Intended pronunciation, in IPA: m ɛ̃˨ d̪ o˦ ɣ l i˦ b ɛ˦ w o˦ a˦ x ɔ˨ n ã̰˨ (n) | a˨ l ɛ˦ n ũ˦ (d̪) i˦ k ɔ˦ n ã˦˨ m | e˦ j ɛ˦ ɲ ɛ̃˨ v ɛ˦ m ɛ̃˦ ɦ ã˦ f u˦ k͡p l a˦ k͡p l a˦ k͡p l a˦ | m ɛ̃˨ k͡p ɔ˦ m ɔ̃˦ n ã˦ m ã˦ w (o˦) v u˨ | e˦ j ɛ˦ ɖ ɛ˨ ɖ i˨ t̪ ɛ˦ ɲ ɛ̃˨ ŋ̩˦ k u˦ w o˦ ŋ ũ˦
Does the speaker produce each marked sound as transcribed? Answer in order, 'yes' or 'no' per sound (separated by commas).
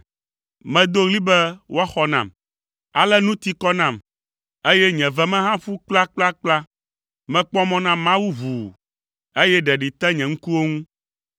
no, no, no